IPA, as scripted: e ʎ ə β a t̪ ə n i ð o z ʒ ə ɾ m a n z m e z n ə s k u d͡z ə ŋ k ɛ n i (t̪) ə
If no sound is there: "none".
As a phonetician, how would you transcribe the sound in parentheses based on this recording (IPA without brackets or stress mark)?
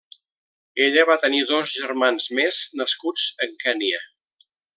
none